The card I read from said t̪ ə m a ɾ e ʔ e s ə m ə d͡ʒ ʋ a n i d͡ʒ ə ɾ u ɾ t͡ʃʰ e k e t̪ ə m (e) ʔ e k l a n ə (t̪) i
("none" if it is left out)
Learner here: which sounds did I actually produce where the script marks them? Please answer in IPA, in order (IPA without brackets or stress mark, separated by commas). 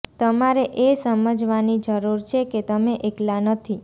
e, t̪ʰ